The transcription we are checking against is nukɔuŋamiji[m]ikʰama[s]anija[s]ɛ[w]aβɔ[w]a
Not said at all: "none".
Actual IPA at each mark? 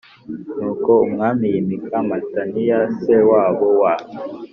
m, t, s, w, w

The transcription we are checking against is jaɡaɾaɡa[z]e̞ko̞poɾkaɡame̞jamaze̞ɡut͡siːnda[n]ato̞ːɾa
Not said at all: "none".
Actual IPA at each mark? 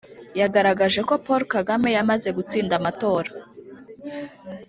ʒ, m

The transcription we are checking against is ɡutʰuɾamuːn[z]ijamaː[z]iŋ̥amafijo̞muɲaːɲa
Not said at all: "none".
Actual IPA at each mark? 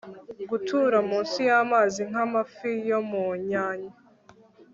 s, z

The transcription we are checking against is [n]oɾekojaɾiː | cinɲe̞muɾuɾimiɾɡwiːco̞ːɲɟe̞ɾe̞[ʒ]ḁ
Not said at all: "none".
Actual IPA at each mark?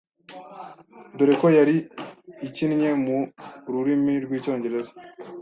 d, z

